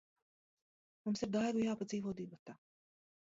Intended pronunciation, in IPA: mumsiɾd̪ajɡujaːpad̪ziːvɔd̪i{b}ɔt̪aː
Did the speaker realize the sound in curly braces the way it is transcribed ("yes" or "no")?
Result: yes